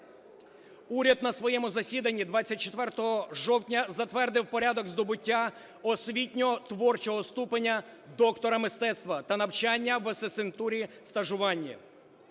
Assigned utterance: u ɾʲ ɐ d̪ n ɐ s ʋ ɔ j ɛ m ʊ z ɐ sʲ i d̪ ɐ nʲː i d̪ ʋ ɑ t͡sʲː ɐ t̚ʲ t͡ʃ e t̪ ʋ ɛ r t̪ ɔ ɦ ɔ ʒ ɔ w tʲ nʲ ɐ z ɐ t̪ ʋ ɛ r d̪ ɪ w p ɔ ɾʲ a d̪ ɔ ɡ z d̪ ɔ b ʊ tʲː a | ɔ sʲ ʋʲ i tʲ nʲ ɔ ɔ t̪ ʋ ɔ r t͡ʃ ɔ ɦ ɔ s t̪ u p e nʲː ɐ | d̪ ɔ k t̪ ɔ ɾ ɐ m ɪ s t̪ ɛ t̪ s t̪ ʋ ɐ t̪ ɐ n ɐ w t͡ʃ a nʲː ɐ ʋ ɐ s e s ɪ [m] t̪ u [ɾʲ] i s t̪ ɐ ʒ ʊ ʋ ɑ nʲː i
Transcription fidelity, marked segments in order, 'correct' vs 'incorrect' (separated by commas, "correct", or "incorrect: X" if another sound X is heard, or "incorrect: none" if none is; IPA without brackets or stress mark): incorrect: n, correct